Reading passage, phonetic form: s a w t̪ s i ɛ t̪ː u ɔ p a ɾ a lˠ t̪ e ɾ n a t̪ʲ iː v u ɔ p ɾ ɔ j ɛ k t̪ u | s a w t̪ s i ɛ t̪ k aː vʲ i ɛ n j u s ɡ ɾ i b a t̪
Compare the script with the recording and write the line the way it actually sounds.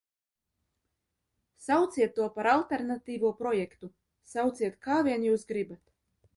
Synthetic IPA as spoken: s a w t̪ s i ɛ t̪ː u ɔ p a ɾ a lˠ t̪ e ɾ n a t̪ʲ iː v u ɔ p ɾ ɔ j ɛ k t̪ u | s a w t̪ s i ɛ t̪ k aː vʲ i ɛ n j uː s ɡ ɾ i b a t̪